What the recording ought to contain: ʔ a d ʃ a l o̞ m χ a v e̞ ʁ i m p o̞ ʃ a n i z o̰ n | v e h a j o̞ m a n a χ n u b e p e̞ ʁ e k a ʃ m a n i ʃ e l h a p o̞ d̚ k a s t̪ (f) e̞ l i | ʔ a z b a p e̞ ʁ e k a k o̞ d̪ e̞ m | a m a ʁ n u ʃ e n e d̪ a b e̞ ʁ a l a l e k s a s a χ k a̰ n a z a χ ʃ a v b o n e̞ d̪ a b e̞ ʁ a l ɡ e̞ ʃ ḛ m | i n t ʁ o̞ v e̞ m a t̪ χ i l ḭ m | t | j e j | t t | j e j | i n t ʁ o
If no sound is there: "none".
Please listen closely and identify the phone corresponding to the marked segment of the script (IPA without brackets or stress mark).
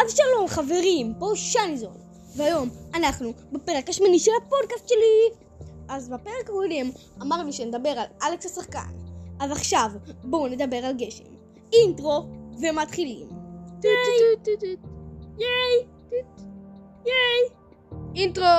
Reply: ʃ